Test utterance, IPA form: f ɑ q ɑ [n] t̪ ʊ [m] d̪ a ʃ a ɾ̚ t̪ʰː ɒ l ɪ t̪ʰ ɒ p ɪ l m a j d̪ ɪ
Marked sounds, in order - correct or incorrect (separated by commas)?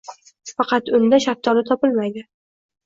incorrect, incorrect